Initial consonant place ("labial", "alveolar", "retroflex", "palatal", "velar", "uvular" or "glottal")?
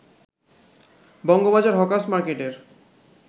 labial